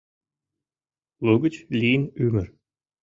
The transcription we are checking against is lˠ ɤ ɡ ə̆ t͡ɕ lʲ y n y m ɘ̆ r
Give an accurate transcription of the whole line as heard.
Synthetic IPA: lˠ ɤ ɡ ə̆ t͡ɕ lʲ i n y m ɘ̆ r